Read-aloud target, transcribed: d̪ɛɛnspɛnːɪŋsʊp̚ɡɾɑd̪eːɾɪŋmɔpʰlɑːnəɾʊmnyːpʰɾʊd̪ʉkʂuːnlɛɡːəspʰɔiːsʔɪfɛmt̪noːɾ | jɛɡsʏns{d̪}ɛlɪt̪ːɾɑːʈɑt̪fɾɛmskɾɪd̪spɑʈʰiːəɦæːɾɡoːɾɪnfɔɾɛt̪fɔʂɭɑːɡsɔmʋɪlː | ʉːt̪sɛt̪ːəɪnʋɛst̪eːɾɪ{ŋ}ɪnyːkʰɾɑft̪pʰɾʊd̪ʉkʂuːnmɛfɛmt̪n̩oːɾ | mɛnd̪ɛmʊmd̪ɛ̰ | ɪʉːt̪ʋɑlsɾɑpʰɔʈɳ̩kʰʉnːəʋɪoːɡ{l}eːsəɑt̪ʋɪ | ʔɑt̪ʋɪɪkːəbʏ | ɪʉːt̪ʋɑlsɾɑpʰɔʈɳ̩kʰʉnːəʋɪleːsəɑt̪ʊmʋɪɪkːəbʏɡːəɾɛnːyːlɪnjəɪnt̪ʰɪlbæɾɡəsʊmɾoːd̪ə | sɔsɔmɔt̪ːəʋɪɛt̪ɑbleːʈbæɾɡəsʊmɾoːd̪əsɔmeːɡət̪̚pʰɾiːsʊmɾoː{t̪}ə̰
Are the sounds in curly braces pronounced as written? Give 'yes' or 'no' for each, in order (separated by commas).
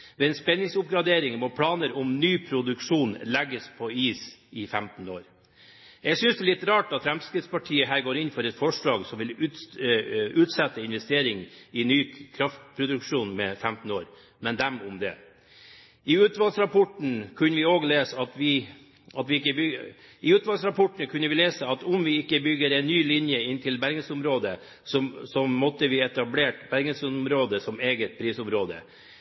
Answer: yes, yes, yes, no